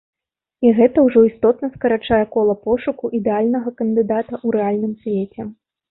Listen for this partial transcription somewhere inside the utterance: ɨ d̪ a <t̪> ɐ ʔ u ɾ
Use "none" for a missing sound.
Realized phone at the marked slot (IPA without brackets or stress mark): t̪